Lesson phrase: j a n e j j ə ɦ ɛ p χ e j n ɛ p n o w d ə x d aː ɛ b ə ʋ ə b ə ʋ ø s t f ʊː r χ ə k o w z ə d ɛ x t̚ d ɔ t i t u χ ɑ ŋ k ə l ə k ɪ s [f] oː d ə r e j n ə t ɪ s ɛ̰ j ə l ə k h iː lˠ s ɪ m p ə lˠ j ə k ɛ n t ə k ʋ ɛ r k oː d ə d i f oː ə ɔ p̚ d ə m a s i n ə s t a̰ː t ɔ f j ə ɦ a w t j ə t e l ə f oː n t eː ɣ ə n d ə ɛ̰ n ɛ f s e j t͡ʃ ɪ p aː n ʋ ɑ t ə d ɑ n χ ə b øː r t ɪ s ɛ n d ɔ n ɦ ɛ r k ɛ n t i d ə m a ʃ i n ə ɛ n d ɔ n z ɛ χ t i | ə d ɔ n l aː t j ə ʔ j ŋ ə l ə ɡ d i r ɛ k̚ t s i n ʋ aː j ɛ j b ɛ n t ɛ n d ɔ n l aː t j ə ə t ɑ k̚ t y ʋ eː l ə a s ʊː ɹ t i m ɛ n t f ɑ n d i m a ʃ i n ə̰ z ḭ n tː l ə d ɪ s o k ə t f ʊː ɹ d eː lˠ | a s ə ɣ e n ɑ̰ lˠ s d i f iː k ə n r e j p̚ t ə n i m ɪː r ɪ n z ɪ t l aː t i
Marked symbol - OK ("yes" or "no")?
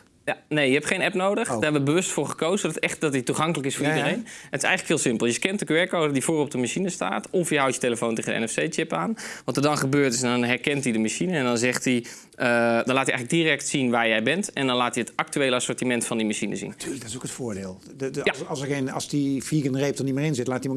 yes